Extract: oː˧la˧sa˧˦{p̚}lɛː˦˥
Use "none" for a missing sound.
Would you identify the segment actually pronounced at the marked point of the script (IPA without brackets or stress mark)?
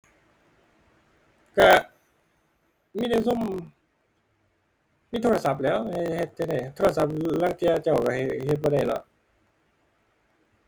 p̚